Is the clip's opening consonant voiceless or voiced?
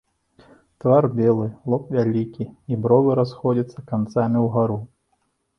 voiceless